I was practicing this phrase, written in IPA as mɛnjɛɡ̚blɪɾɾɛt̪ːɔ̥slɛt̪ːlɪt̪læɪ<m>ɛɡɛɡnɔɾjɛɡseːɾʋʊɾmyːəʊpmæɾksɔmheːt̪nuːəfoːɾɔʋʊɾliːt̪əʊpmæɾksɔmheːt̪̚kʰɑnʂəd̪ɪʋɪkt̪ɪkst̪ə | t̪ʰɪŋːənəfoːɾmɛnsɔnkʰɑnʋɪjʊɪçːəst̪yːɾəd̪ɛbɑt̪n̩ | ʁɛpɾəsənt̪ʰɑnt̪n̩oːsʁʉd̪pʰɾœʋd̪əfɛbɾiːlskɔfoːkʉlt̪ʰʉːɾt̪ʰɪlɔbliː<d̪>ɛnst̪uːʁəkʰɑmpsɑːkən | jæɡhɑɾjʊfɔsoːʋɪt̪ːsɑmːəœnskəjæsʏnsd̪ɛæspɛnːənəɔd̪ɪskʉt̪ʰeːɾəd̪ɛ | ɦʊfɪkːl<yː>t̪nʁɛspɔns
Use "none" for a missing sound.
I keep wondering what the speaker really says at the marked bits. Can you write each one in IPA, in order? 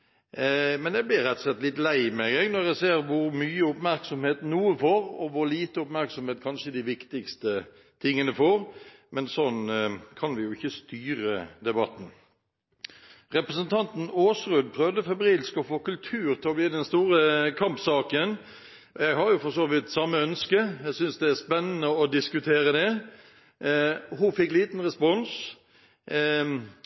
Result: m, d̪, iː

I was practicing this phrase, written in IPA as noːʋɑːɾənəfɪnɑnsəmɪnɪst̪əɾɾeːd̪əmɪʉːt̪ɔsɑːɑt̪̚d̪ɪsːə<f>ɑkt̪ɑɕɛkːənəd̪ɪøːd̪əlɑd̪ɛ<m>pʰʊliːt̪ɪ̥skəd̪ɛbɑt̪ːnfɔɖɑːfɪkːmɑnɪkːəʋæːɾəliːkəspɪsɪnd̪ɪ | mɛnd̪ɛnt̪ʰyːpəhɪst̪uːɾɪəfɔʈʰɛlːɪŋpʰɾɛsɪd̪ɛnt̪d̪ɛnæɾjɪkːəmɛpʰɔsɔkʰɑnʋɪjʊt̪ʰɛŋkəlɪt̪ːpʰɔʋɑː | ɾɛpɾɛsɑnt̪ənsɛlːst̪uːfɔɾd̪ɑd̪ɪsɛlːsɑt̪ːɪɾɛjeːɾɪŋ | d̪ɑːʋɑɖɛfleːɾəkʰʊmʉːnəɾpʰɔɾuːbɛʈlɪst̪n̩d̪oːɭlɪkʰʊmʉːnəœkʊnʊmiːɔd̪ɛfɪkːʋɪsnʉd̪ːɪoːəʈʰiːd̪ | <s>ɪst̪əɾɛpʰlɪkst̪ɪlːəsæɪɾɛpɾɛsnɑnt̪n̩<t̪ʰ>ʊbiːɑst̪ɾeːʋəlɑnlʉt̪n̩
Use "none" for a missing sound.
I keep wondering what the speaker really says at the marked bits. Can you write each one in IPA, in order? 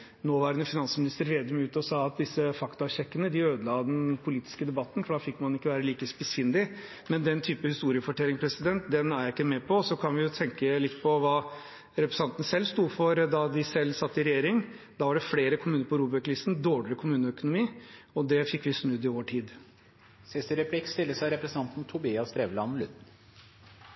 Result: f, n, s, t̪ʰ

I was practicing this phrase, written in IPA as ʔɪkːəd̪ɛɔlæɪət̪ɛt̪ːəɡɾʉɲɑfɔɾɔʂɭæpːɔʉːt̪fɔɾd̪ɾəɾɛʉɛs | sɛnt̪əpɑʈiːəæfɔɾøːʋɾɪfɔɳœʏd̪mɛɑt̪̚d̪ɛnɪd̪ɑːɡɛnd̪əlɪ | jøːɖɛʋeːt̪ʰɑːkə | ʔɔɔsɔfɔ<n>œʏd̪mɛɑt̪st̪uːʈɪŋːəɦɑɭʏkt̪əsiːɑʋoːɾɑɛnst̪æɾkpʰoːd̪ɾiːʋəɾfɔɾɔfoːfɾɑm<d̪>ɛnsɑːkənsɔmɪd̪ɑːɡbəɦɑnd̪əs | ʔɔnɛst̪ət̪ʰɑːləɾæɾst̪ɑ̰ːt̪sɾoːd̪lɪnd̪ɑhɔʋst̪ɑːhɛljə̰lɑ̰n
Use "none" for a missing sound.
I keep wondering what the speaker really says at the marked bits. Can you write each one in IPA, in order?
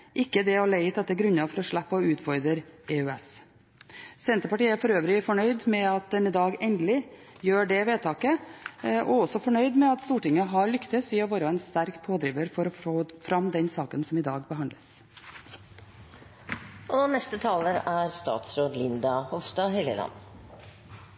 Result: ɳ, d̪

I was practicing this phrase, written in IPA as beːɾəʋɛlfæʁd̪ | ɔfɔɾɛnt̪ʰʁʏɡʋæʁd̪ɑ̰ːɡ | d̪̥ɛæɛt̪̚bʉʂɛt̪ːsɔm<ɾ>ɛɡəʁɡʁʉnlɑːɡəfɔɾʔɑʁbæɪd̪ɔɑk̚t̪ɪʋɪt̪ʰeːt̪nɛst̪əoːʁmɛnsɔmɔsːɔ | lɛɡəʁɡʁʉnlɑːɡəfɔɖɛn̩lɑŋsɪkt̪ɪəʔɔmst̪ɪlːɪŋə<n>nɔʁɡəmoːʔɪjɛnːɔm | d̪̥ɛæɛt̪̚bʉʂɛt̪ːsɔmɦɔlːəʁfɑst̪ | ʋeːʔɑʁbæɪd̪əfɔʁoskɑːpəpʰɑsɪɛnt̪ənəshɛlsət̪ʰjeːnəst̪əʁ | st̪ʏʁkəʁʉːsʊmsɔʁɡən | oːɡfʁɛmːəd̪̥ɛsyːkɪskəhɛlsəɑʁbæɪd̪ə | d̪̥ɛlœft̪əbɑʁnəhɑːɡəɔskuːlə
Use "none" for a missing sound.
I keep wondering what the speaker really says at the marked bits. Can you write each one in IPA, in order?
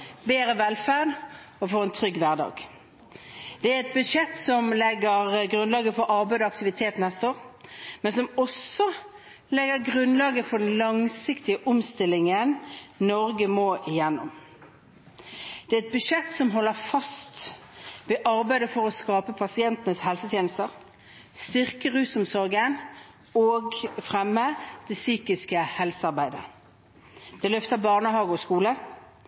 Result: l, n

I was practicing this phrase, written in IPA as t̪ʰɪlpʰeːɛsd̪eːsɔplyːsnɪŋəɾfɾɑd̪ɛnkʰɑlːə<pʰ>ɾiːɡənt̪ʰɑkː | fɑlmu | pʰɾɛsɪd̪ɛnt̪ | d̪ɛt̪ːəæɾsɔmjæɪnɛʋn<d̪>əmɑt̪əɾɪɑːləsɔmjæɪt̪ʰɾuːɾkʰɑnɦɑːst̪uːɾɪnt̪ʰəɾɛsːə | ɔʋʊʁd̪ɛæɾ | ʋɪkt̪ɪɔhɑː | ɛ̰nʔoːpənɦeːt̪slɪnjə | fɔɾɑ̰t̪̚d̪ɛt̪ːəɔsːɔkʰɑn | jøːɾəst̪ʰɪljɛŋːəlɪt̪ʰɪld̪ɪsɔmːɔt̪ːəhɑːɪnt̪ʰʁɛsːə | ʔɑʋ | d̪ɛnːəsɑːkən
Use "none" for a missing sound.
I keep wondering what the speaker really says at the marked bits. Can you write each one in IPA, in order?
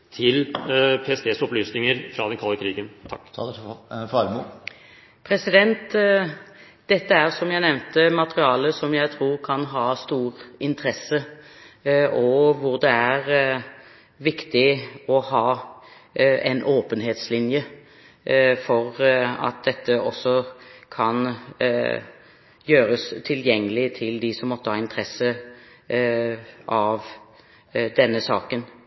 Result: kʰ, t̪

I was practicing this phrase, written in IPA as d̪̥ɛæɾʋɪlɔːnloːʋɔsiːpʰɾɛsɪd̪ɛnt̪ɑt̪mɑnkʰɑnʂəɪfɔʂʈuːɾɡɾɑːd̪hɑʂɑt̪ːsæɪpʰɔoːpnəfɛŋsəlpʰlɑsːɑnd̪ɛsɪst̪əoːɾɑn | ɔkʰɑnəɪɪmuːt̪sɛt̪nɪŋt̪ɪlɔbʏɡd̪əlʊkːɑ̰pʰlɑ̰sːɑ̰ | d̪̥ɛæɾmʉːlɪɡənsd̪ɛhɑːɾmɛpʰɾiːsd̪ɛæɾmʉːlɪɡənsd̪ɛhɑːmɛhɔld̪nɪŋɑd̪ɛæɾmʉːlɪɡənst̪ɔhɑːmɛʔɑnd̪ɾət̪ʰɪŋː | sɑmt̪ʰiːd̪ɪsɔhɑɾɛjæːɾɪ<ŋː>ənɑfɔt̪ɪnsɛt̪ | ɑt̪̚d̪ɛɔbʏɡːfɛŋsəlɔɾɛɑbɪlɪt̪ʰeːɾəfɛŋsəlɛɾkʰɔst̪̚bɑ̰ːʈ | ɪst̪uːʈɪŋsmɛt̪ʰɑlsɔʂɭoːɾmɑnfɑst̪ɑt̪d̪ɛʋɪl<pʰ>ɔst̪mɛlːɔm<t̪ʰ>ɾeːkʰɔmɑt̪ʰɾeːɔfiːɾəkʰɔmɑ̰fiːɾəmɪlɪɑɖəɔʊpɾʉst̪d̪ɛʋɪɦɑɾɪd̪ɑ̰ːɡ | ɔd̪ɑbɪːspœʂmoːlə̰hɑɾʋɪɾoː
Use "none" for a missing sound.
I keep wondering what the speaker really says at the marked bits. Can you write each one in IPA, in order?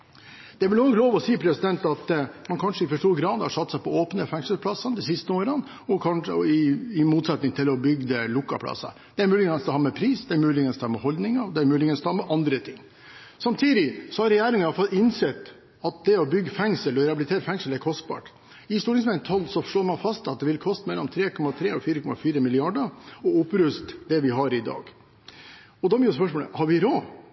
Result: ŋ, kʰ, t̪ʰ

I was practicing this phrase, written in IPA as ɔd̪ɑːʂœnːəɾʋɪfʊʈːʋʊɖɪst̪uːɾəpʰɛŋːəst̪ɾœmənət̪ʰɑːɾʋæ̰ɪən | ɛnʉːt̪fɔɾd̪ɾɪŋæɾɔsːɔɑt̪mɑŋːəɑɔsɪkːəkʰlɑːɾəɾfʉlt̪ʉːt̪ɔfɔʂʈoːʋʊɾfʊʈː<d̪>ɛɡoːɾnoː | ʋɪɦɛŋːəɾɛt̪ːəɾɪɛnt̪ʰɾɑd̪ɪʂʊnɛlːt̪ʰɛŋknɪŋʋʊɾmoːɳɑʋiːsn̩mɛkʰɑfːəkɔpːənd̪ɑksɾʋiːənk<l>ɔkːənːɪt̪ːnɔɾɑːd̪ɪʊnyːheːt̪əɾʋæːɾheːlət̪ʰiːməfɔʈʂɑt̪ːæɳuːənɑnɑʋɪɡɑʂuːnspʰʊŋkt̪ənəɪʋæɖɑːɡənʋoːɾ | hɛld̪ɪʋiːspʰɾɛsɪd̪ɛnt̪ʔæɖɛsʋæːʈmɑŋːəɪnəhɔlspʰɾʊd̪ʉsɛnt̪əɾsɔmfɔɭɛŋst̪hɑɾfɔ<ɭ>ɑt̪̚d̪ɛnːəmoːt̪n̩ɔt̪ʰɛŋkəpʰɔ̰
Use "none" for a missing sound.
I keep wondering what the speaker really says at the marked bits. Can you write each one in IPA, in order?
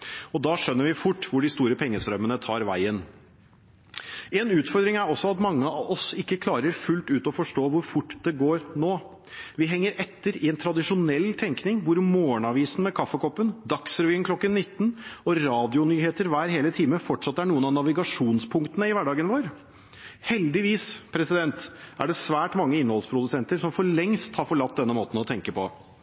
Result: d̪, l, ɭ

